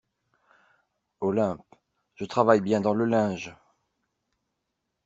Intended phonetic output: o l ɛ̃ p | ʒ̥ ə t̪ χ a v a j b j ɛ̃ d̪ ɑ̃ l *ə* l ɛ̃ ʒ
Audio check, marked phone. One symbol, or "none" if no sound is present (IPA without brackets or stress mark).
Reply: ə